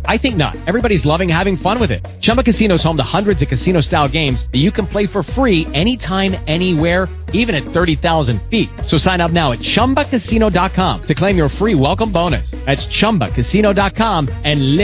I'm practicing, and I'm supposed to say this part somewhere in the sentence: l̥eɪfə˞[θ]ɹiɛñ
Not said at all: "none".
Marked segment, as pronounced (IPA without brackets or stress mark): f